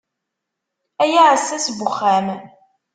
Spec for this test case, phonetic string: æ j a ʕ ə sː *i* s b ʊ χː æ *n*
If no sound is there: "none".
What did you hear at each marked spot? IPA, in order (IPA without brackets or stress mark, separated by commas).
æ, m